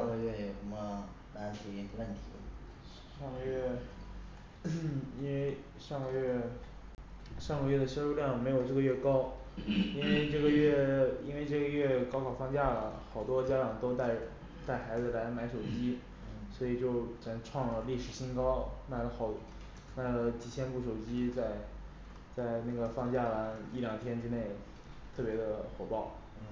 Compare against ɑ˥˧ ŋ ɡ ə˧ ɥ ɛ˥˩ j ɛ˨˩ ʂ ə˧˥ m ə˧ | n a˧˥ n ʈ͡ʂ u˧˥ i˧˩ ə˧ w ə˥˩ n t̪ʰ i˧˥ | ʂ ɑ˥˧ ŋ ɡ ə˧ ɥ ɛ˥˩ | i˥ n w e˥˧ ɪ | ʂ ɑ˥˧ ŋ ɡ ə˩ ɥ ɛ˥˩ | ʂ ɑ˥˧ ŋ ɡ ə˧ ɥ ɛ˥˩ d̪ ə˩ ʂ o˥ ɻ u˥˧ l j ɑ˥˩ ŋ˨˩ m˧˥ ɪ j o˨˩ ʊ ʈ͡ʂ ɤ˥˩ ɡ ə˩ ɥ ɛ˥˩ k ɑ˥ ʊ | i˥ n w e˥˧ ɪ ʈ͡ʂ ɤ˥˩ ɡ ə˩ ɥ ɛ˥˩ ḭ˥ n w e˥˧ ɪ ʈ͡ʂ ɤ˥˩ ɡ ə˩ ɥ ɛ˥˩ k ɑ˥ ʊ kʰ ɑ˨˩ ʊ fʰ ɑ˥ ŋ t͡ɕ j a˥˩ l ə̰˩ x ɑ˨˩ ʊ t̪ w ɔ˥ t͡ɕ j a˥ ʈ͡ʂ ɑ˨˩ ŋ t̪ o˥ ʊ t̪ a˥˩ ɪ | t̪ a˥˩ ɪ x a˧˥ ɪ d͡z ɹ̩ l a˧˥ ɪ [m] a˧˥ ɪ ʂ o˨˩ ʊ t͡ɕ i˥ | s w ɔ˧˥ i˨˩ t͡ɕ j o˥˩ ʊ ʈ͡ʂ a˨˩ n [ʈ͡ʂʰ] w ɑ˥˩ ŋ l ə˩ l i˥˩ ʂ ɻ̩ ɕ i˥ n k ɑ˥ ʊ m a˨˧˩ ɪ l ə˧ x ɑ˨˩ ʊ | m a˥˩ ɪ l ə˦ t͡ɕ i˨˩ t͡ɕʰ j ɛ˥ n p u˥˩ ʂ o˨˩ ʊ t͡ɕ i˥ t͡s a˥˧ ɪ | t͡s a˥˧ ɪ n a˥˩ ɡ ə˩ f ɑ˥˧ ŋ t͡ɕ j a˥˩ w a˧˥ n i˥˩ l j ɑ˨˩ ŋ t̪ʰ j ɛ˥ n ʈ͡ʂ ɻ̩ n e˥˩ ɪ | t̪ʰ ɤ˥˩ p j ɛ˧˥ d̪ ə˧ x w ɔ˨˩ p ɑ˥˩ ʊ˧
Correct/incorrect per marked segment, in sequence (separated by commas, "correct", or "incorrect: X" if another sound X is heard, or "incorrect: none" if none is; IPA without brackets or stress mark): correct, correct